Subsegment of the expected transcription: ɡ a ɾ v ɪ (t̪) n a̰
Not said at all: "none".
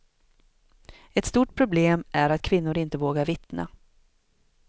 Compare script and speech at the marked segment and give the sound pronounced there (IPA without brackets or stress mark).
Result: t̪